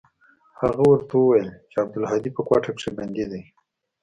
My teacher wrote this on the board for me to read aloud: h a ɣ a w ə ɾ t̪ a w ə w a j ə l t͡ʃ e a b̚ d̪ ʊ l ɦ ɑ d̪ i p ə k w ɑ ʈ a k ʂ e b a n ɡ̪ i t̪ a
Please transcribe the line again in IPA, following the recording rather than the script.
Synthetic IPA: h a ɣ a w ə ɾ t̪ a w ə w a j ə l t͡ʃ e a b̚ d̪ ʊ l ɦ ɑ d̪ i p ə k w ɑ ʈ a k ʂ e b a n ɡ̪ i d̪ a